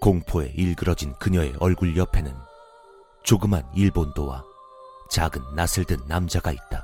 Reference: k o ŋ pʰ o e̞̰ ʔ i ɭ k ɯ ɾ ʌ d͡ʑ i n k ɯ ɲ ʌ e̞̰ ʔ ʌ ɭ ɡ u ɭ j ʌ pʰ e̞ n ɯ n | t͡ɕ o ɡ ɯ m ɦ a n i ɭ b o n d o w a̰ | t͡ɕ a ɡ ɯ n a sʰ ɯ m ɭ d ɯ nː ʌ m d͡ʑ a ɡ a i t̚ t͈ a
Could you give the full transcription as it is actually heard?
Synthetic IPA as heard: k o ŋ pʰ o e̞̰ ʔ i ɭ ɡ ɯ ɾ ʌ d͡ʑ i n k ɯ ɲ ʌ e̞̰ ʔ ʌ ɭ ɡ u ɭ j ʌ pʰ e̞ n ɯ n | t͡ɕ o ɡ ɯ m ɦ a n i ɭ b o n d o w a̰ | t͡ɕ a ɡ ɯ nː a sʰ ɯ ɭ d ɯ nː a m d͡ʑ a ɡ a i t̚ t͈ a